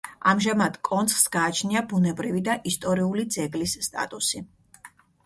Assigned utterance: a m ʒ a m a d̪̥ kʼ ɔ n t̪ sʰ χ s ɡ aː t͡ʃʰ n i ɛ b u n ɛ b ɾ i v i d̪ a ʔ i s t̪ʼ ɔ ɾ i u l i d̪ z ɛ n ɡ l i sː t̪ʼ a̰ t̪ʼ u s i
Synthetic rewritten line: a m ʒ a m a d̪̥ kʼ ɔ n t̪ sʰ χ s ɡ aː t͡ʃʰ n i a b u n ɛ b ɾ i v i d̪ a ʔ i s t̪ʼ ɔ ɾ i u l i d̪ z ɛ ɡ l i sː t̪ʼ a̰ t̪ʼ u s i